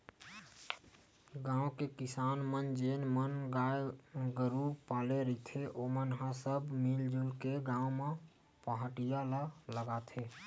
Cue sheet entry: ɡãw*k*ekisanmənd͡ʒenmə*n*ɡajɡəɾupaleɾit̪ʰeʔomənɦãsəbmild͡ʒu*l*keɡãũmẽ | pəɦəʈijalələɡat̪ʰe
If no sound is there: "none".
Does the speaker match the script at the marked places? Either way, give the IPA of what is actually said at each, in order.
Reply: k, n, l

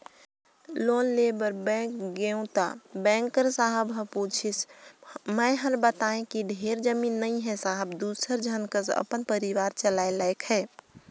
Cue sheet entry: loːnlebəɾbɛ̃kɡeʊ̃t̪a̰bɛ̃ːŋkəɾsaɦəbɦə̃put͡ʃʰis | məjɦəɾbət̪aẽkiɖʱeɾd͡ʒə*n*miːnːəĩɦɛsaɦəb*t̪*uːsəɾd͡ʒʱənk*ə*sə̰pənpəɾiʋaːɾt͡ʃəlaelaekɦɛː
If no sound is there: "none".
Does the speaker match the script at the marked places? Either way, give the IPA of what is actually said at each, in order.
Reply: none, d̪, ə

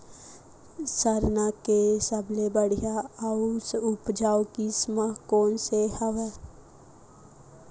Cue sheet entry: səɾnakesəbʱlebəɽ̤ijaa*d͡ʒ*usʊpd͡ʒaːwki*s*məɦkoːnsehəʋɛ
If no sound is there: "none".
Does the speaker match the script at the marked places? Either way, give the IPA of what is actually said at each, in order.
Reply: none, s

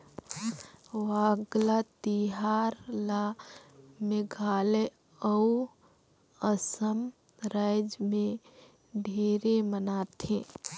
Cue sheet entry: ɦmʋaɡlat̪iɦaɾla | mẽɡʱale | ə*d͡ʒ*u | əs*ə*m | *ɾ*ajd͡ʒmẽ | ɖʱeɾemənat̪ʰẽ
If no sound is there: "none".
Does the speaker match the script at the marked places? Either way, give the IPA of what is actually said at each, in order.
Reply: none, ə, ɾ

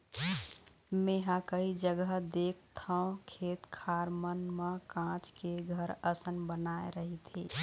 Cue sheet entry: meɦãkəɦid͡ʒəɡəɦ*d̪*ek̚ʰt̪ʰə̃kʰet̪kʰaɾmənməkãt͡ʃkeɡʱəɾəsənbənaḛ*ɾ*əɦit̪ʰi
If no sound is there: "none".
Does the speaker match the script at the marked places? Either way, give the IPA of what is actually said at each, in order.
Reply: d̪, ɾ

